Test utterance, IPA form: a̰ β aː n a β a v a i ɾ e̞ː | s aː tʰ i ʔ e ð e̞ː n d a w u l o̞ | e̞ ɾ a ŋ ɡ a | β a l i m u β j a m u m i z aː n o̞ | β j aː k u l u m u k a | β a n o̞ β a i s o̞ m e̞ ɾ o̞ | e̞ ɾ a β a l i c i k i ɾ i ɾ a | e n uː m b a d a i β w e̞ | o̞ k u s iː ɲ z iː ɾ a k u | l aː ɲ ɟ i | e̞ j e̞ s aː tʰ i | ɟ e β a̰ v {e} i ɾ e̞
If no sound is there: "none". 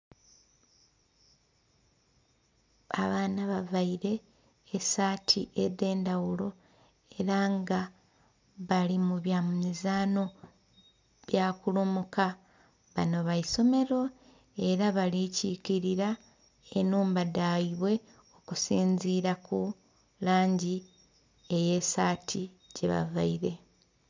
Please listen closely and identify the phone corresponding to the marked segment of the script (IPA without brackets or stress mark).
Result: a